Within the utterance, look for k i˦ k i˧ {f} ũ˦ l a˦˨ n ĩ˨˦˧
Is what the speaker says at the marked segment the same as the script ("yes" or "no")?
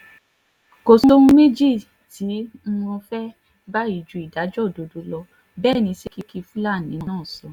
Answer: yes